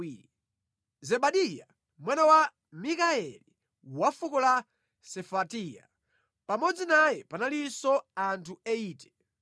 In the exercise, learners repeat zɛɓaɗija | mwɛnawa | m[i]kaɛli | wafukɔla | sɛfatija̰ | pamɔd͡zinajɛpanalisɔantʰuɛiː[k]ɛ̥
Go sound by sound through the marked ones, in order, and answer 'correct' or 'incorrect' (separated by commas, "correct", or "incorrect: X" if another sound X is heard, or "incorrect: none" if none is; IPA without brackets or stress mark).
correct, incorrect: t